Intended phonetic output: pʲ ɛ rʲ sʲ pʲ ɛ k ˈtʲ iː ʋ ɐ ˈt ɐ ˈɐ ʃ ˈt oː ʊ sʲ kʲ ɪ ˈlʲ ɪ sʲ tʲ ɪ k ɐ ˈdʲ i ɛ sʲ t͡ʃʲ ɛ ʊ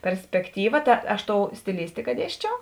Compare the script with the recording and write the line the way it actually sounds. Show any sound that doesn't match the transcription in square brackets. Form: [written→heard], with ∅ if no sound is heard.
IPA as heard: pʲ ɛ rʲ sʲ pʲ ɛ k ˈtʲ iː ʋ ɐ ˈt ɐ ˈɐ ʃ ˈt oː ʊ sʲ [kʲ→tʲ] ɪ ˈlʲ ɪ sʲ tʲ ɪ k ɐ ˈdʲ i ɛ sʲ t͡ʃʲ ɛ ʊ